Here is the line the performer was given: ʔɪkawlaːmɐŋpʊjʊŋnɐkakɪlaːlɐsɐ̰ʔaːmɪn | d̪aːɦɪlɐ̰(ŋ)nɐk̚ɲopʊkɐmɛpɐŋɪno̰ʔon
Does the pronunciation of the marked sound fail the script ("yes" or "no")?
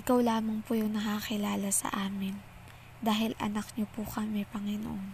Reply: yes